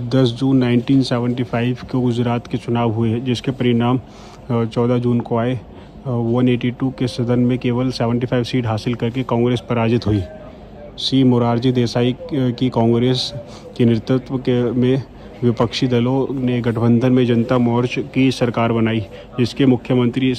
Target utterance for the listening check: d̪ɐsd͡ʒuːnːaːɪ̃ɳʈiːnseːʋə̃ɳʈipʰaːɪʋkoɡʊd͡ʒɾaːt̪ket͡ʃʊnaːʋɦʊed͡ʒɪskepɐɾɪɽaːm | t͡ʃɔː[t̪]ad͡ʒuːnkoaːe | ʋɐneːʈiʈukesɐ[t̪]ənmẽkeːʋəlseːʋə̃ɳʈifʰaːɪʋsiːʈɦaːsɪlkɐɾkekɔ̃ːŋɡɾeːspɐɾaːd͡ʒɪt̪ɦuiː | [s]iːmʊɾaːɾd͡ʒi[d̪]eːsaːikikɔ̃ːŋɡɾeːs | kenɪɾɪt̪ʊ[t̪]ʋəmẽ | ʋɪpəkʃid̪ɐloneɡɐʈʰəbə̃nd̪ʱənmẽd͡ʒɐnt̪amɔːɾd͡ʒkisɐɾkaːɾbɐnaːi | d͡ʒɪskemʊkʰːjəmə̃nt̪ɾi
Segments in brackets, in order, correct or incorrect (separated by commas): incorrect, incorrect, correct, correct, correct